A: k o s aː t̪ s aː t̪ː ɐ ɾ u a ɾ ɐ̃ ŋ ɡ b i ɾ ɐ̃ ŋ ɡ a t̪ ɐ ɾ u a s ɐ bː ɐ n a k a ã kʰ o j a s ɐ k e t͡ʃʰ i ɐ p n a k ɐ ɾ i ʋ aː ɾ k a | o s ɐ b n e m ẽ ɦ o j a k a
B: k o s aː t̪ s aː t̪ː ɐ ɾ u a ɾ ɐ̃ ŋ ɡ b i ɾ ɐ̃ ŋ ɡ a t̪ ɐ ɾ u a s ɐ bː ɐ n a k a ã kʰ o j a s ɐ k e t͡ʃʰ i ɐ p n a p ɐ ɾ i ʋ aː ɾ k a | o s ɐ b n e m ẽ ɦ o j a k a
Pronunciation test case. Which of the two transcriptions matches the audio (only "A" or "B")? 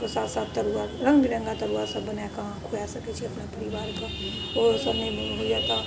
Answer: B